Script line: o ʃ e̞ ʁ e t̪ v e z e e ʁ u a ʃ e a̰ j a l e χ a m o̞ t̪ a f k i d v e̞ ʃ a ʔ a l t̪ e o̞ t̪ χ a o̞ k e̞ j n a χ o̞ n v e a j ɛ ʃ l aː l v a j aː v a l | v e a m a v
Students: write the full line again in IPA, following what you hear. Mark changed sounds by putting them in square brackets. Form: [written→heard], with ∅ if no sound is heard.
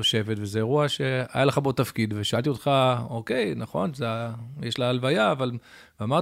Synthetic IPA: o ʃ e̞ [ʁ→v] e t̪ v e z e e ʁ u a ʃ e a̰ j a l e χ a [m→b] o̞ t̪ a f k i d v e̞ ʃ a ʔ a l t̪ [e→i] o̞ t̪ χ a o̞ k e̞ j n a χ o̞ n [v→z] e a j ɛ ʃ l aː l v a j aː v a l | v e a m a [v→ʁ]